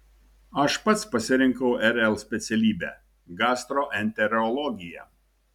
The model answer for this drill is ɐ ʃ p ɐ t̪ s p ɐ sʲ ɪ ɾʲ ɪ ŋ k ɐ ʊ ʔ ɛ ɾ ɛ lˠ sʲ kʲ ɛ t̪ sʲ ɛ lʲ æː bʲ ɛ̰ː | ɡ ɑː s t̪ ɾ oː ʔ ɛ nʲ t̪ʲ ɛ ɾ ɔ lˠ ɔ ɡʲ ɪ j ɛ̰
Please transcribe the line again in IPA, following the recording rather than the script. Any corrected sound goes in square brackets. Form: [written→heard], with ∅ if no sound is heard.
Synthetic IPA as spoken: ɐ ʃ p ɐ t̪ s p ɐ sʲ ɪ ɾʲ ɪ ŋ k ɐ ʊ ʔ ɛ ɾ ɛ lˠ sʲ [kʲ→pʲ] ɛ t̪ sʲ ɛ lʲ [æː→iː] bʲ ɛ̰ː | ɡ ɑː s t̪ ɾ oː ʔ ɛ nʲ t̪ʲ ɛ ɾ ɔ lˠ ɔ ɡʲ ɪ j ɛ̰